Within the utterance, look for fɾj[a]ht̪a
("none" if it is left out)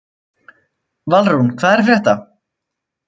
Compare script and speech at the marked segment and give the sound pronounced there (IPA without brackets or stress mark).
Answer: ɛ